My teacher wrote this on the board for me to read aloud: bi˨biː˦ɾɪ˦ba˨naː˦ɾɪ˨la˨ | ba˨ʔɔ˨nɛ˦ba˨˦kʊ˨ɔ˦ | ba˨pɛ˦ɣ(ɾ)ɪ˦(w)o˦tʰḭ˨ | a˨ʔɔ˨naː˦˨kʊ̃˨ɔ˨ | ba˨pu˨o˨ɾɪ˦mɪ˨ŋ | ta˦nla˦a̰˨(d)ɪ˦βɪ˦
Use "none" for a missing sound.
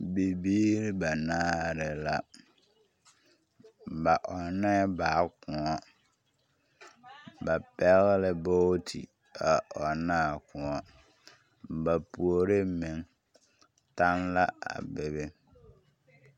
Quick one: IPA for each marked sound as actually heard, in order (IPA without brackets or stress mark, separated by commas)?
l, b, b